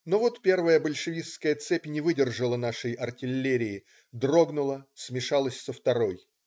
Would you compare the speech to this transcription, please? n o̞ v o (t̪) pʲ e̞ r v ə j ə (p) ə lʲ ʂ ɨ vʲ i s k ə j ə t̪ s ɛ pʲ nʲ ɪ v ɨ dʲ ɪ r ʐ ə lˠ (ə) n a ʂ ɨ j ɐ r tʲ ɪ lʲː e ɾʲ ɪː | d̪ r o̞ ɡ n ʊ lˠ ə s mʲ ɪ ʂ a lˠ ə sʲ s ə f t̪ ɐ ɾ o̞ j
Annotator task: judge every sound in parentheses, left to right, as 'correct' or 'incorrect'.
correct, incorrect: b, correct

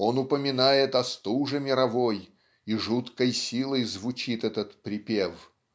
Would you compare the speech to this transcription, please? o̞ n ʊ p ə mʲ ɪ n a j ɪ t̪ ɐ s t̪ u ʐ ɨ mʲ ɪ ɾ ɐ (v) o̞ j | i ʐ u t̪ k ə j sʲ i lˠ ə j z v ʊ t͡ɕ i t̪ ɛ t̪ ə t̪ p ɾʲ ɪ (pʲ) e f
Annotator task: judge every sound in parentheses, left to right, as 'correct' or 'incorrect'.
correct, correct

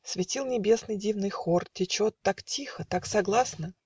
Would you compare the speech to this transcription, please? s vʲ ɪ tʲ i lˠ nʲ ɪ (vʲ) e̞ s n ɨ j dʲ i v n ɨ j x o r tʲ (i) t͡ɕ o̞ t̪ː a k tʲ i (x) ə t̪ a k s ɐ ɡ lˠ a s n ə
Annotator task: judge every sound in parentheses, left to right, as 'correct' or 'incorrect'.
incorrect: bʲ, incorrect: ɪ, correct

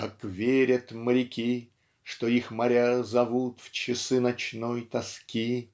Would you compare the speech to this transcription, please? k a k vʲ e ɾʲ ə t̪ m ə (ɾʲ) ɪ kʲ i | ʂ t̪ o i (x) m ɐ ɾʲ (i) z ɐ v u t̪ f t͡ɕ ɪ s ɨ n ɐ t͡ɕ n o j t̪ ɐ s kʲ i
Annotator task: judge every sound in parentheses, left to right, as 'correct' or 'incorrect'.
correct, correct, incorrect: a

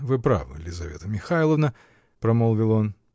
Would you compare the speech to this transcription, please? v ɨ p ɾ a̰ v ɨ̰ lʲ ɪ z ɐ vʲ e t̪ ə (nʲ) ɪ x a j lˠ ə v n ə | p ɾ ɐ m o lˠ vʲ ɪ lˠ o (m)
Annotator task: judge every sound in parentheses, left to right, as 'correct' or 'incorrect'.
incorrect: mʲ, incorrect: n

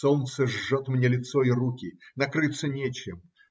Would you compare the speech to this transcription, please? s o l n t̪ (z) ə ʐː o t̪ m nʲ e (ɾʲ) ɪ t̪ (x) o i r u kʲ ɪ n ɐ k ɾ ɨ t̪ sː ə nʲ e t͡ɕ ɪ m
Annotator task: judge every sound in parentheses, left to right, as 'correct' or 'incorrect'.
incorrect: s, incorrect: lʲ, incorrect: s

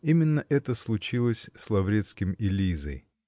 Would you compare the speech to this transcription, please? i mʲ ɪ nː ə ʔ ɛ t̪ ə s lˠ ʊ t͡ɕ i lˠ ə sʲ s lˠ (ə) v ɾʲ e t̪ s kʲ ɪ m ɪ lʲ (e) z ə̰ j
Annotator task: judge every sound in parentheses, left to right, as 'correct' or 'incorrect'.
incorrect: ɐ, incorrect: i

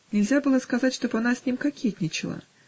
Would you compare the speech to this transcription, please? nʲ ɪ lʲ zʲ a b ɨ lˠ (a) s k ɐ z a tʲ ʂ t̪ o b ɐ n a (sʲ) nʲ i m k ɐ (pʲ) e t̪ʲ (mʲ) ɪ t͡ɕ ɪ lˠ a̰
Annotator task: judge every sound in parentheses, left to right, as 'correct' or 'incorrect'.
incorrect: ə, correct, incorrect: kʲ, incorrect: nʲ

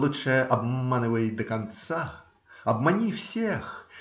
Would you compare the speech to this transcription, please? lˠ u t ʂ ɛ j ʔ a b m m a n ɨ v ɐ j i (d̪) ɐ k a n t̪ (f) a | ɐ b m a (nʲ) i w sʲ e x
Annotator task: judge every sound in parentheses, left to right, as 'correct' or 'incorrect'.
correct, incorrect: s, correct

